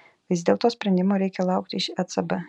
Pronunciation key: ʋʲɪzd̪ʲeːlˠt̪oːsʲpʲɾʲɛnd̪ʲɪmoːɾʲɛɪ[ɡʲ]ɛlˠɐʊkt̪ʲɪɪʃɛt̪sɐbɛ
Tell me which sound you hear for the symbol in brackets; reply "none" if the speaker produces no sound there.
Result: kʲ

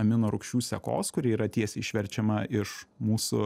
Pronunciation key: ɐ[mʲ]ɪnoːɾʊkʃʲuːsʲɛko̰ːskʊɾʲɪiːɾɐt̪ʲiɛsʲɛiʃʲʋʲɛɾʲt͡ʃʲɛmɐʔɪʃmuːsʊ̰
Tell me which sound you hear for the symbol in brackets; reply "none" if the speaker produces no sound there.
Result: mʲ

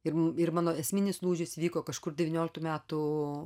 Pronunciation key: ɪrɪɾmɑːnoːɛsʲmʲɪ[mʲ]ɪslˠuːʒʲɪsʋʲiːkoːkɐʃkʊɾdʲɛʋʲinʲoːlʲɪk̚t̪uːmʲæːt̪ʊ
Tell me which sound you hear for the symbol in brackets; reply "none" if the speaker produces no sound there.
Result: nʲ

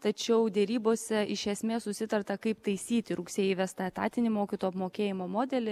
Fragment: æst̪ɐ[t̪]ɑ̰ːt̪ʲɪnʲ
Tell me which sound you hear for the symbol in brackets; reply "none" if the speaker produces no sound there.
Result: t̪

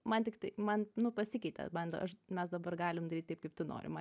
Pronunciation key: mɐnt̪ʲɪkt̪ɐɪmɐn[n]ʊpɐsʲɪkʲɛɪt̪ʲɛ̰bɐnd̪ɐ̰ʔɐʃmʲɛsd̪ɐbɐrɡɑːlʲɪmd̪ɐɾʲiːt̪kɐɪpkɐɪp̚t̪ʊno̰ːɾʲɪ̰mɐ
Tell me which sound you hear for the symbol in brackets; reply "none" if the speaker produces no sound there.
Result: n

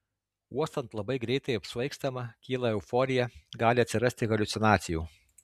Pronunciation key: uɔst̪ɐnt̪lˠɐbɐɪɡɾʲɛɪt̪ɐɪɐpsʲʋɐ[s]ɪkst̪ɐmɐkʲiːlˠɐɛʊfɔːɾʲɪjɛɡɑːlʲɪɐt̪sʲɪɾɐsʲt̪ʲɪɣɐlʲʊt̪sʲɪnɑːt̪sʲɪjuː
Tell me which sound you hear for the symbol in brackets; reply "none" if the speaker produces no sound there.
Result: none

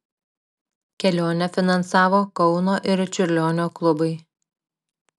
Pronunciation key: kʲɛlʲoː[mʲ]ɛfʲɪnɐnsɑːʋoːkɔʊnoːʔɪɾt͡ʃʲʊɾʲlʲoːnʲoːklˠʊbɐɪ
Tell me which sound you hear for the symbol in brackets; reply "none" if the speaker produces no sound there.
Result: nʲ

